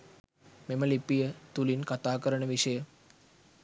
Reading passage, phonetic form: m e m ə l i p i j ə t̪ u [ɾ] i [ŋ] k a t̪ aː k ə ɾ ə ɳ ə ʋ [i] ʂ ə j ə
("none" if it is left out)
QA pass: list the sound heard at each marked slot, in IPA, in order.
l, n, i

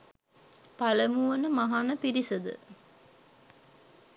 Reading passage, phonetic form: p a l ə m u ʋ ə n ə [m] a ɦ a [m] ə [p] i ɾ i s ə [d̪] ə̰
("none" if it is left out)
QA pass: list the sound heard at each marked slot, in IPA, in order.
m, n, p, d̪

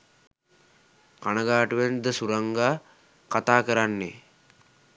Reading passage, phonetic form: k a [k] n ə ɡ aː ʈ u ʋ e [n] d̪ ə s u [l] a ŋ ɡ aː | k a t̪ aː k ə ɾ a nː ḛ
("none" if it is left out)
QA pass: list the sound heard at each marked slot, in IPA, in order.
none, n, ɾ

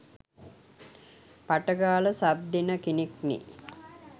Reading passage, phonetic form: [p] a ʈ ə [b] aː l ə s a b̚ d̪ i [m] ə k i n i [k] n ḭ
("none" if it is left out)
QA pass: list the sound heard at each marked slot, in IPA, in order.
p, ɡ, n, k

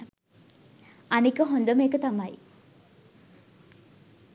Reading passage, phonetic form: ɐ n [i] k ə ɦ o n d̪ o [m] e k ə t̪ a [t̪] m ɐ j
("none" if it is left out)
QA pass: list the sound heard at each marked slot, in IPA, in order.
i, m, none

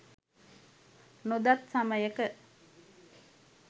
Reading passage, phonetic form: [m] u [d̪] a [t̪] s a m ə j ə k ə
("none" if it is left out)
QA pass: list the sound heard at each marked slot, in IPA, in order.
n, d̪, t̪

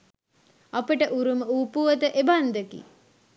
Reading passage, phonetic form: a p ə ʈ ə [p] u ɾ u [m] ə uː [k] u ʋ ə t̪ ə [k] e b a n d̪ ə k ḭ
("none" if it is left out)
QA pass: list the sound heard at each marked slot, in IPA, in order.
ʔ, m, p, ʔ

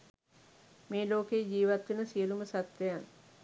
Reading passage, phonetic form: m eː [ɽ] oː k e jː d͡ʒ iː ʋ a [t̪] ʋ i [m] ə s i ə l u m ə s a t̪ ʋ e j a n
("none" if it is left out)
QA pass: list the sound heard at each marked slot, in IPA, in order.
l, t̪, n

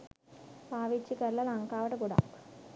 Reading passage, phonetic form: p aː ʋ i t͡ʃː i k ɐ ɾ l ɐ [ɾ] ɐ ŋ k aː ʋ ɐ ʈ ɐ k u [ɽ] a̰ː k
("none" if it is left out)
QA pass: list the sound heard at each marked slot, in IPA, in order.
l, ɽ

